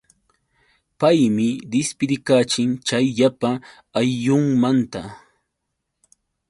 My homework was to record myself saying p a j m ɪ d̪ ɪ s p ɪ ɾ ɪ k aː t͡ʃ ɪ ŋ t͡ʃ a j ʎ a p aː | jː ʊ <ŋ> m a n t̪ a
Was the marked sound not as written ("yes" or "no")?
no